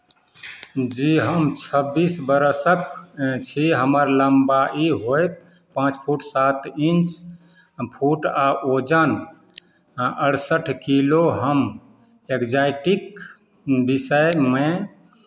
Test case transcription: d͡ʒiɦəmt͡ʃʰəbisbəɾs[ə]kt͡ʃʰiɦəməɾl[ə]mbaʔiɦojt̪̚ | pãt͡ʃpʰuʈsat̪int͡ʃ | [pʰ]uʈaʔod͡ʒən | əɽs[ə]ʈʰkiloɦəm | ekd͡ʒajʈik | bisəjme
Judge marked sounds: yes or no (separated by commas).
yes, yes, yes, yes